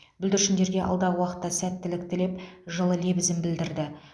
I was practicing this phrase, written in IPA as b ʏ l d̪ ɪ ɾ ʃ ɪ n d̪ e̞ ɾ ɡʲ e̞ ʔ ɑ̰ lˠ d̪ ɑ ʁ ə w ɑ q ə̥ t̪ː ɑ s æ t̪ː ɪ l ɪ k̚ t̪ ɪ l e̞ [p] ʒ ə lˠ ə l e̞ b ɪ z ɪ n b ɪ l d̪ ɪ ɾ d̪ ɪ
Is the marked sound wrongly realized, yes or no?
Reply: no